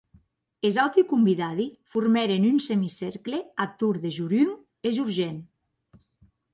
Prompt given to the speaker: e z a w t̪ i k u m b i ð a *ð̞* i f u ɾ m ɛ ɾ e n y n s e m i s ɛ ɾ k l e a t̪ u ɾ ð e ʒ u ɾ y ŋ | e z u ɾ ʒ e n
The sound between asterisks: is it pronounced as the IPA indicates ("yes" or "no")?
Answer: yes